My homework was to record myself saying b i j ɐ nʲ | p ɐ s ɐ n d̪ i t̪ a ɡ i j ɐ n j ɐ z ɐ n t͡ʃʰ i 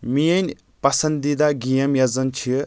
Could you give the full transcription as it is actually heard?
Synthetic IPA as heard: m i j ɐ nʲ | p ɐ s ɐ n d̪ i d̪ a ɡ i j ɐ m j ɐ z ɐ n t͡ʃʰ i